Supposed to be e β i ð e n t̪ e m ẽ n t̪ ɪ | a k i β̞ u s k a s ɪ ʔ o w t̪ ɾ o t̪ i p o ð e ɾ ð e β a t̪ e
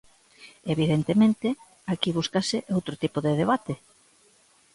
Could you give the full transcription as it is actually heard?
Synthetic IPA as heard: e β i ð e n t̪ e m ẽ n t̪ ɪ | a k i β̞ u s k a s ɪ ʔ o w t̪ ɾ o t̪ i p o ð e ð e β a t̪ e